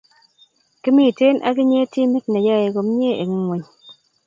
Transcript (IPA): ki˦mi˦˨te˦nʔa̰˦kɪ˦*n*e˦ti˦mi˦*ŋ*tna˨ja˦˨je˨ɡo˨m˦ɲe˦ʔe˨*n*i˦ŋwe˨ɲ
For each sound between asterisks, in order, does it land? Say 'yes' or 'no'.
no, no, no

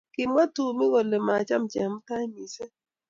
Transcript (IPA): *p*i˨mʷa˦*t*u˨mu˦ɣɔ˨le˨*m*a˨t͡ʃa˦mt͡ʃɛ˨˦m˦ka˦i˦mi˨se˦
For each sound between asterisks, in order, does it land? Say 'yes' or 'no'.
no, yes, yes

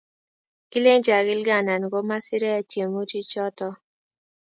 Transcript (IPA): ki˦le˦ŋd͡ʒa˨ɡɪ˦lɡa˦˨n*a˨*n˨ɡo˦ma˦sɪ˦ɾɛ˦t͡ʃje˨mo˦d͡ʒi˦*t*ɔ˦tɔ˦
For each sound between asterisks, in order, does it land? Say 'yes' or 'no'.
yes, no

